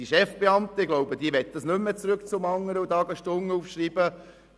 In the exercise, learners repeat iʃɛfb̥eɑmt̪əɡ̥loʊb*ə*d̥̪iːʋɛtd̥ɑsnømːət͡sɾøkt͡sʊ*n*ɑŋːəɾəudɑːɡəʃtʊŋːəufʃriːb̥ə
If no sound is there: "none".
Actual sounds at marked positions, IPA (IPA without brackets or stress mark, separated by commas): ə, m